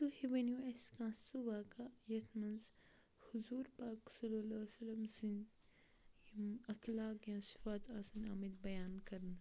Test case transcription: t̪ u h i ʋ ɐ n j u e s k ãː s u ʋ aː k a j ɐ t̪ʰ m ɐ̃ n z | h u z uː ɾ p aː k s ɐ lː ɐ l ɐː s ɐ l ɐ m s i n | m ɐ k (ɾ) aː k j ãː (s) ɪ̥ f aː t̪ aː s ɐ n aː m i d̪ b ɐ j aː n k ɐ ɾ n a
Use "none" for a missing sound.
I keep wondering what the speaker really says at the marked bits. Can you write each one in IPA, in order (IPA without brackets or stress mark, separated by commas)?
l, s